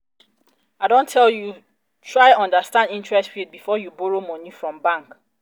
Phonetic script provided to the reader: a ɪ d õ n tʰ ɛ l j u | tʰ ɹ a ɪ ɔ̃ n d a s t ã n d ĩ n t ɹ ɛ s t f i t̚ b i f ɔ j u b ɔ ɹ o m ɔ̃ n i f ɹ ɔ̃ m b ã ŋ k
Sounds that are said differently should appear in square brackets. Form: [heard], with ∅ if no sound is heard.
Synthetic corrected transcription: a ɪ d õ n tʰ ɛ l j u | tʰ ɹ a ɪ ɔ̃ n d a s t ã n d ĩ n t ɹ ɛ s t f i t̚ b i f ɔ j u b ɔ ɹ o m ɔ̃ n i f ɹ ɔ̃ m b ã ŋ k